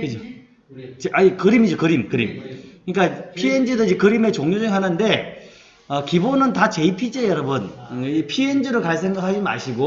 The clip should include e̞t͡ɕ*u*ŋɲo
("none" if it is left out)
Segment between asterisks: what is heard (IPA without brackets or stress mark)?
o